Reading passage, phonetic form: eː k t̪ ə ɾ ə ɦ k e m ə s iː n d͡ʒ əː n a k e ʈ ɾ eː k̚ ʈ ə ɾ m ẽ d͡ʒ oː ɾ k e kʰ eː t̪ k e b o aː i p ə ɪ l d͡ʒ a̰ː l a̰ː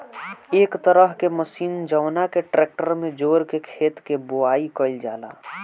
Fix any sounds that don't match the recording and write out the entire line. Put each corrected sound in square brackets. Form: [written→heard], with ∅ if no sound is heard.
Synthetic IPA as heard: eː k t̪ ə ɾ ə ɦ k e m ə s iː n d͡ʒ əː n a k e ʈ ɾ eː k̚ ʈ ə ɾ m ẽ d͡ʒ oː ɾ k e kʰ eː t̪ k e b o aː i [p→k] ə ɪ l d͡ʒ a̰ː l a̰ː